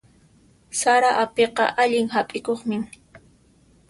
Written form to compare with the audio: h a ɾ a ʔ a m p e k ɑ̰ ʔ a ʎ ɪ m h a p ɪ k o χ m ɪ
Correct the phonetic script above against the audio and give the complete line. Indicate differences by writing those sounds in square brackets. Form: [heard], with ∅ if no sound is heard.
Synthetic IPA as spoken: [s] a ɾ a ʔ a [∅] p e [q] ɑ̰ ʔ a ʎ ɪ [ŋ] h a [pʼ] ɪ k o χ m ɪ